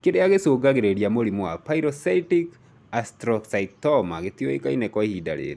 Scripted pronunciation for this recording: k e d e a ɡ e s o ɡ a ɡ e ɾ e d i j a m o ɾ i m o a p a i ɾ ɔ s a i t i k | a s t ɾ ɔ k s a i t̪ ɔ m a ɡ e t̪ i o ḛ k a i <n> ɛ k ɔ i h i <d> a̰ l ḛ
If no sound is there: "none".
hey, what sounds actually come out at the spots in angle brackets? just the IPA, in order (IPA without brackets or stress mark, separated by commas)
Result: n, d